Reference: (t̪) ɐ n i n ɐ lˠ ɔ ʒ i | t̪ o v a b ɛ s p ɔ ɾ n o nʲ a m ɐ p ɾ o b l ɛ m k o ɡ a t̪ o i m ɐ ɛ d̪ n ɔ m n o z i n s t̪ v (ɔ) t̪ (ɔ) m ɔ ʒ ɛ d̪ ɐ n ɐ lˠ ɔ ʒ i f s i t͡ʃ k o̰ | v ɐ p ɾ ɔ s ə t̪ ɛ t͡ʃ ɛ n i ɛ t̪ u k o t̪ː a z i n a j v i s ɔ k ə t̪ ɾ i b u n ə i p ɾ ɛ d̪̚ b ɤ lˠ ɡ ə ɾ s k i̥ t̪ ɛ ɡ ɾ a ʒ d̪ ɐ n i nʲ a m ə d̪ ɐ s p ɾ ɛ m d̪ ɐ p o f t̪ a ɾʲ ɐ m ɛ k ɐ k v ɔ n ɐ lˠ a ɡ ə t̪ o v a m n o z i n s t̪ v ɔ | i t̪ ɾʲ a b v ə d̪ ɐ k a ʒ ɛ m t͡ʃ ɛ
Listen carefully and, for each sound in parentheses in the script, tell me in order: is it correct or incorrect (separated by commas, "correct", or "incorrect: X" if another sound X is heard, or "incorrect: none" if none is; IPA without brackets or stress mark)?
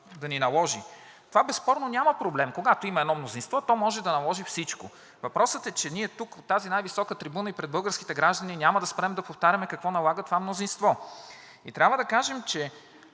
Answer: incorrect: d̪, correct, correct